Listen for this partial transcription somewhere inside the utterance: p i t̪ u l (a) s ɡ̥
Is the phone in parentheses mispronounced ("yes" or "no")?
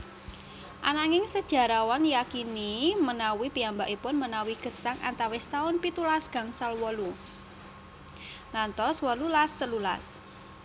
no